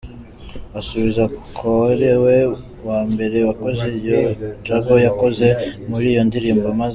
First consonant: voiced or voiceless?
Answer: voiceless